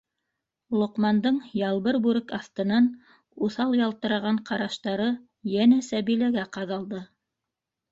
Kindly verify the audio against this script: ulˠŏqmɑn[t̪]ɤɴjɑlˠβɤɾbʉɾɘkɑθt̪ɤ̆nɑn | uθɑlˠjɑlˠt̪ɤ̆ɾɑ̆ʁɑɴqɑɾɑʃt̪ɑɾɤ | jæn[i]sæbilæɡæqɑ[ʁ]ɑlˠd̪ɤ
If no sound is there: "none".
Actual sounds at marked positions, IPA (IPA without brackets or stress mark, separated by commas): d̪, æ, ð